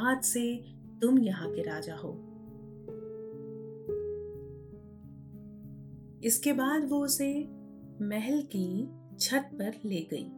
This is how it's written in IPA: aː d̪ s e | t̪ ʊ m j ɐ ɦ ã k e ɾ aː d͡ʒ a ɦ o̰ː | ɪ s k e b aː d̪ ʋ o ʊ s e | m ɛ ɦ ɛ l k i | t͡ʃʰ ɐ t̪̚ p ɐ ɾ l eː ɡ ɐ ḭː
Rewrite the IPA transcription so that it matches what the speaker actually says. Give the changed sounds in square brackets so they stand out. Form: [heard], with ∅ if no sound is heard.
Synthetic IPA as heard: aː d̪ s e | t̪ ʊ m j ɐ ɦ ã k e ɾ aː d͡ʒ a ɦ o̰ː | ɪ s k e b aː d̪ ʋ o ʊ s e | m ɛ ɦ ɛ l k i | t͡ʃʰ ɐ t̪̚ p ɐ ɾ l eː ɡ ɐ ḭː